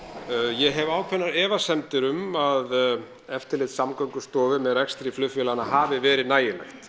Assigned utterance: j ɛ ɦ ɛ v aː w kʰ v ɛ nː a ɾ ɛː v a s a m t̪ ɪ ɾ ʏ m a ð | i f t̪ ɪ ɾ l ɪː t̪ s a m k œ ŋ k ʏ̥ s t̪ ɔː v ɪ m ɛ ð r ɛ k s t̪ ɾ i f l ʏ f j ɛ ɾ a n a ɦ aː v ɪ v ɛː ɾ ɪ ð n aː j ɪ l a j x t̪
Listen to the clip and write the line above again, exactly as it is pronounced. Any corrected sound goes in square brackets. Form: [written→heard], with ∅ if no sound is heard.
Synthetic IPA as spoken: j ɛ ɦ ɛ v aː w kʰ v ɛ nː a ɾ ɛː v a s [a→ɛ] m t̪ ɪ ɾ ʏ m a ð | [i→ɛ] f t̪ ɪ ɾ l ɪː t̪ s a m k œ ŋ k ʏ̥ s t̪ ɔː v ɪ m ɛ ð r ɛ k s t̪ ɾ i f l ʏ f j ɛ [ɾ→l] a n a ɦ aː v ɪ v ɛː ɾ ɪ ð n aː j ɪ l a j x t̪

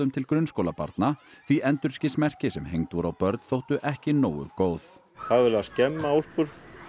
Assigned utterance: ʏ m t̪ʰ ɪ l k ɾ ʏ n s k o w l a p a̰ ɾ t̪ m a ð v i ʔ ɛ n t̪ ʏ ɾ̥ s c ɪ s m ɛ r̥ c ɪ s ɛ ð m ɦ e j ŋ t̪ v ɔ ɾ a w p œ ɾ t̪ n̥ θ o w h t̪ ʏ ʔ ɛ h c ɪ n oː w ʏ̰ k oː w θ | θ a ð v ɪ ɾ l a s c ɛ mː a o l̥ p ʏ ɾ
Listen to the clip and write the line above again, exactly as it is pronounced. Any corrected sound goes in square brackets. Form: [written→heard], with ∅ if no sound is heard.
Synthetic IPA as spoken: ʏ m t̪ʰ ɪ l k ɾ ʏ n s k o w l a p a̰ ɾ t̪ [m→n] a [ð→θ] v i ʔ ɛ n t̪ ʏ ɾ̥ s c ɪ s m ɛ r̥ c ɪ s ɛ [ð→∅] m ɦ e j ŋ t̪ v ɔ ɾ a w p œ ɾ t̪ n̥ θ o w h t̪ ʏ ʔ ɛ h c ɪ n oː w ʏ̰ k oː w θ | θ a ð v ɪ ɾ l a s c ɛ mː a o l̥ p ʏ ɾ

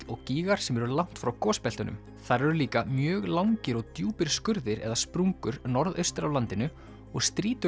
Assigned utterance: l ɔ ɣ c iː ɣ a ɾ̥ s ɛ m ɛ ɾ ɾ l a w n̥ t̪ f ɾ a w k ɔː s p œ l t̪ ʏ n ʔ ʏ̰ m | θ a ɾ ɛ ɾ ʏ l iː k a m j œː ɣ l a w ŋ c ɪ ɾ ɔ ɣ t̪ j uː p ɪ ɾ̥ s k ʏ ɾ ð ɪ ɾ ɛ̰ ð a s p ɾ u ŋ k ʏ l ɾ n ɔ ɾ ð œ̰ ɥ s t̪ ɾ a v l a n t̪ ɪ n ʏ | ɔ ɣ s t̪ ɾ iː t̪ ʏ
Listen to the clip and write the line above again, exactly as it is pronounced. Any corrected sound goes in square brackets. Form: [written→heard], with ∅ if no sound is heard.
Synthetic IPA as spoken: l ɔ ɣ c iː ɣ a ɾ̥ s ɛ m ɛ ɾ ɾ l a w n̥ t̪ f ɾ a w k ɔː s p [œ→ɛ] l t̪ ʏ n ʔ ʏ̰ m | θ a ɾ ɛ ɾ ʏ l iː k a m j œː ɣ l a w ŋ c ɪ ɾ ɔ ɣ t̪ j uː p ɪ ɾ̥ s k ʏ ɾ ð ɪ ɾ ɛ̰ ð a s p ɾ u ŋ k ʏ [l→∅] ɾ n ɔ ɾ ð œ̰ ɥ s t̪ ɾ a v l a n t̪ ɪ n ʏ | ɔ ɣ s t̪ ɾ iː t̪ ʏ

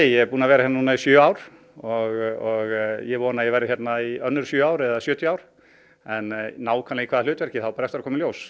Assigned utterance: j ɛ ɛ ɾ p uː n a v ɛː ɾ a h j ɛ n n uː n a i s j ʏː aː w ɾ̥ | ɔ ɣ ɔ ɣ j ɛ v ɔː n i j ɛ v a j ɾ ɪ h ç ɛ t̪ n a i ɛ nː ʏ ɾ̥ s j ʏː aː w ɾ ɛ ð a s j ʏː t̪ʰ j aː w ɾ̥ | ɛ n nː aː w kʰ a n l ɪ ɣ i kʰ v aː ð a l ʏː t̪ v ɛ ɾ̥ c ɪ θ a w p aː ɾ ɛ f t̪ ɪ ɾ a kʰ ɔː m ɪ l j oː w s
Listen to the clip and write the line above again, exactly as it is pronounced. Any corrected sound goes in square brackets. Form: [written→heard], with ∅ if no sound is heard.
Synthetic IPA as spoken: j ɛ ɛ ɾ p uː n a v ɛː ɾ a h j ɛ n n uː n a i s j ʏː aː w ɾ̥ | ɔ ɣ ɔ ɣ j ɛ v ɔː n [i→a] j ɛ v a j ɾ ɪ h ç ɛ t̪ n a i [ɛ→œ] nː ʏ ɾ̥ s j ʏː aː w ɾ ɛ ð a s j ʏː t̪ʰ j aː w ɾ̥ | ɛ n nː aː w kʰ a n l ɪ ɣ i kʰ v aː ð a l ʏː t̪ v ɛ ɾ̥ c ɪ θ a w p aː ɾ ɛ f t̪ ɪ ɾ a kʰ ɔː m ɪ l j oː w s

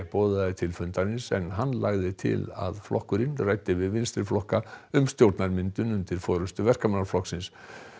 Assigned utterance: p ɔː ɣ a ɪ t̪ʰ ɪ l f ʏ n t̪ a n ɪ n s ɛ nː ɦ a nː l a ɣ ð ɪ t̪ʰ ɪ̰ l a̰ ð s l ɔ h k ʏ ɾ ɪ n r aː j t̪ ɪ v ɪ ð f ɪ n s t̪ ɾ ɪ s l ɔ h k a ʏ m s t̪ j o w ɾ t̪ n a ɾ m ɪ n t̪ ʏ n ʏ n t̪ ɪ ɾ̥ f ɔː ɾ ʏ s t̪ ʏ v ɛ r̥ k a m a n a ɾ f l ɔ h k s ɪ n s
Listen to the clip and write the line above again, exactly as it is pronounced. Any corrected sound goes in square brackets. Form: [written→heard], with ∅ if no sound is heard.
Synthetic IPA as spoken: p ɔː [ɣ→ð] a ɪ t̪ʰ ɪ l f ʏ n t̪ a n ɪ n s ɛ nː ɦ a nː l a ɣ ð ɪ t̪ʰ ɪ̰ l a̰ ð [s→f] l ɔ h k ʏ ɾ ɪ n r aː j t̪ ɪ v ɪ ð [f→v] ɪ n s t̪ ɾ ɪ [s→f] l ɔ h k a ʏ m s t̪ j o w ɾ t̪ n a ɾ m ɪ n t̪ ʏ n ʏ n t̪ ɪ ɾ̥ f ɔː ɾ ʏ s t̪ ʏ v ɛ r̥ k a m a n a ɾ f l ɔ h k s ɪ n s

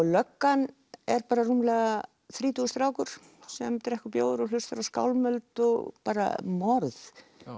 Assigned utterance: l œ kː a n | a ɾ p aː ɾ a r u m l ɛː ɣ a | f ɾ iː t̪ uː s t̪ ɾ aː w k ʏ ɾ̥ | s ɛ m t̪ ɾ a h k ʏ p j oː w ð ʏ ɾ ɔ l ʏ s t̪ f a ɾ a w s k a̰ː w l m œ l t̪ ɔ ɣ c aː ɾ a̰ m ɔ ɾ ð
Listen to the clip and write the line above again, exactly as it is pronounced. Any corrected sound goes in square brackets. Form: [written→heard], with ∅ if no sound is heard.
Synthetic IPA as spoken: l œ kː a n | [a→ɛ] ɾ p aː ɾ a r u m l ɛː ɣ a | [f→θ] ɾ iː t̪ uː s t̪ ɾ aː w k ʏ ɾ̥ | s ɛ m t̪ ɾ [a→ɛ] h k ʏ p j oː w ð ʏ ɾ ɔ l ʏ s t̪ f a ɾ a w s k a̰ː w l m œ l t̪ ɔ ɣ [c→p] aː ɾ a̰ m ɔ ɾ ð

